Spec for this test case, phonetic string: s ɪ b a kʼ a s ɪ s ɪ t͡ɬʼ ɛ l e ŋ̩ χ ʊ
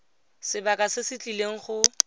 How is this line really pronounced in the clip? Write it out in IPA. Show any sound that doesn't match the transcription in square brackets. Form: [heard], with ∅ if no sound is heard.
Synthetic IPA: s ɪ b a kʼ a s ɪ s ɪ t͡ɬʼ [i] l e ŋ̩ χ ʊ

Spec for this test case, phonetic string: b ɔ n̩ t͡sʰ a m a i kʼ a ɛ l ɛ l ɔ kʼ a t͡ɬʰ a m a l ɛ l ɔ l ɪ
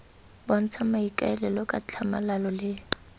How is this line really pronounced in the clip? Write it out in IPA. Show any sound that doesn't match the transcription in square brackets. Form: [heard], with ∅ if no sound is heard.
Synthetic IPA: b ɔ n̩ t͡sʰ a m a i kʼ a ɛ l ɛ l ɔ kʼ a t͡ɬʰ a m a l [a] l ɔ l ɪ

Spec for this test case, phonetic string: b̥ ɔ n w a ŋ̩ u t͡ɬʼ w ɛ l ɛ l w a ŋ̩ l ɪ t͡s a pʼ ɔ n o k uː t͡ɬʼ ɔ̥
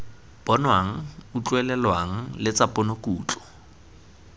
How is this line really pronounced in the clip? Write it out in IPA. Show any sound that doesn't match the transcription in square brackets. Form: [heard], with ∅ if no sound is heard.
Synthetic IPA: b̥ ɔ n w a ŋ̩ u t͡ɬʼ w ɛ l ɛ l w a ŋ̩ l ɪ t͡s a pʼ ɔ n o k uː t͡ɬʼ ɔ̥

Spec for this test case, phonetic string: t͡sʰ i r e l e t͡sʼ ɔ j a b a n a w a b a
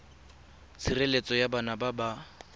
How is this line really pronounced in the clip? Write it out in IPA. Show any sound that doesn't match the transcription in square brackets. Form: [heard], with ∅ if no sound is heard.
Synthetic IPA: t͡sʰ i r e l e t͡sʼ ɔ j a b a n a [b] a b a

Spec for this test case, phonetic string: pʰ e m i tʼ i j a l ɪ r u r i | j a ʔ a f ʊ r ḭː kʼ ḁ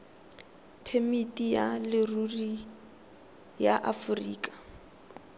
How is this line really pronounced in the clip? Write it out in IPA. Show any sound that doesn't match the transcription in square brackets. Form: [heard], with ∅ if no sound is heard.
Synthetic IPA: pʰ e m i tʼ i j a l ɪ r u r i | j a ʔ a f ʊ r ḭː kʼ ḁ

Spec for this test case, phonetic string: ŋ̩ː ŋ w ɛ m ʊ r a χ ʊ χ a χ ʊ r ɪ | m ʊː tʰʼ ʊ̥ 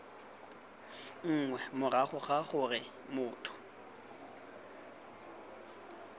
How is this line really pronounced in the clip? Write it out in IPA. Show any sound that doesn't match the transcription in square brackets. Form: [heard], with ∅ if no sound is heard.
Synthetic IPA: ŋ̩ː ŋ w ɛ m ʊ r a χ ʊ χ a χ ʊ r ɪ | m ʊː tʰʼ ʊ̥

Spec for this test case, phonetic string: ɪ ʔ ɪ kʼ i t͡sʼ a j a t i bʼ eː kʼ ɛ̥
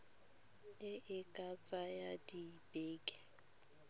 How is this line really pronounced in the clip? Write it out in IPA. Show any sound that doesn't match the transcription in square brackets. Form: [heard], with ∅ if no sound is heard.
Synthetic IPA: ɪ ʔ ɪ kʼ [a] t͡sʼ a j a [d] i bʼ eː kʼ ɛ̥

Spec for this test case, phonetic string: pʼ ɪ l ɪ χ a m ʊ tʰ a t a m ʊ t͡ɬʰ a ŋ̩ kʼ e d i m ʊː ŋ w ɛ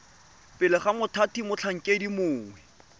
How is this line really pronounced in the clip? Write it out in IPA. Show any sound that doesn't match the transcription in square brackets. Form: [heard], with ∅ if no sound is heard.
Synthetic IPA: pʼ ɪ l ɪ χ a m ʊ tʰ a t [i] m ʊ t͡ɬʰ a ŋ̩ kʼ e d i m ʊː ŋ w ɛ

